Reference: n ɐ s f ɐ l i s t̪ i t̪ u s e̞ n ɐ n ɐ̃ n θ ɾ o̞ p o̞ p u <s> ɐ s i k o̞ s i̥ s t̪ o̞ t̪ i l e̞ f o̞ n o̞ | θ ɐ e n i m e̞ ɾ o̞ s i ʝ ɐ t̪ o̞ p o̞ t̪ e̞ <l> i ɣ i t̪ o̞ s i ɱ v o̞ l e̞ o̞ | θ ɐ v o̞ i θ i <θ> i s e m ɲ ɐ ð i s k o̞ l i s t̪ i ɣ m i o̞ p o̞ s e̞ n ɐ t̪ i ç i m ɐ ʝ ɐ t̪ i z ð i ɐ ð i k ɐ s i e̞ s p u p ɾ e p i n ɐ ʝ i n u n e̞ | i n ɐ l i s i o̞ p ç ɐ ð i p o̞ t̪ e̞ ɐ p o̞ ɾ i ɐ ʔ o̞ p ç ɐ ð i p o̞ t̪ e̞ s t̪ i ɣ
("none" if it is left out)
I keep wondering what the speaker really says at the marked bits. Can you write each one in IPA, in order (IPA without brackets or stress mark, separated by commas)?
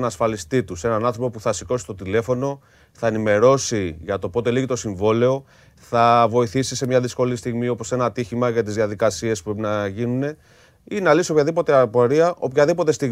θ, l, s